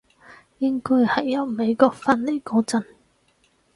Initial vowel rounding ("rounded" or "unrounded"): unrounded